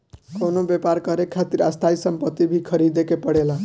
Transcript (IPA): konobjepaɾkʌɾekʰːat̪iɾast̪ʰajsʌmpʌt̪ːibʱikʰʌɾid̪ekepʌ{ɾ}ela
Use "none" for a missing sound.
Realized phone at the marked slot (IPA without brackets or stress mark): ɽ